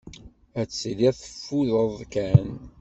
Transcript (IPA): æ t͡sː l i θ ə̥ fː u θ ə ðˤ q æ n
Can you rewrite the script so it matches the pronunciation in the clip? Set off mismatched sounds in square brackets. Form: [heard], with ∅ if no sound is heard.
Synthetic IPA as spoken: æ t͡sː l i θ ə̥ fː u [ð] ə ðˤ [k] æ n